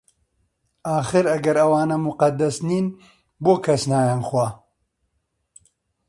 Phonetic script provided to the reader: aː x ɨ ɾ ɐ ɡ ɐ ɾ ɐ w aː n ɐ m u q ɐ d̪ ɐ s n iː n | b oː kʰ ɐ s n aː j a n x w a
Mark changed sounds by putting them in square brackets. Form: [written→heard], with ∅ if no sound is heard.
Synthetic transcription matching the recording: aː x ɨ ɾ ɐ ɡ ɐ ɾ ɐ w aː n ɐ m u q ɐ d̪ ɐ s n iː n | b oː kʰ ɐ s n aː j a n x w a